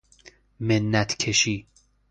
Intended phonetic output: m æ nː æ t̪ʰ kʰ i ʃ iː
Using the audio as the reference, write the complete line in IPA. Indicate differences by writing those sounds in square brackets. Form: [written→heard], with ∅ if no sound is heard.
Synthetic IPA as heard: m [æ→e] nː æ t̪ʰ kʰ [i→e] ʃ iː